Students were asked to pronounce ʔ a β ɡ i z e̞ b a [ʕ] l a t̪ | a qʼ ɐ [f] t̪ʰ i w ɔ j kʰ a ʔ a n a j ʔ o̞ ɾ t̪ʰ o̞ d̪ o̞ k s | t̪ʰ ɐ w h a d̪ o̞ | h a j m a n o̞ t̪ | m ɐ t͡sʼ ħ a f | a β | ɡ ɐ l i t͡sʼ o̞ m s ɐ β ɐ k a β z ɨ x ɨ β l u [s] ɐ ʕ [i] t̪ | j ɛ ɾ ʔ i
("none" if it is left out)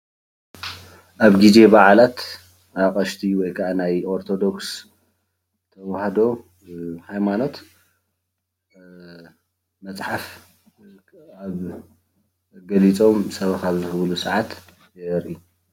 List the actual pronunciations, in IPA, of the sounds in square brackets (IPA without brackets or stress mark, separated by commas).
ʕ, ʃ, s, a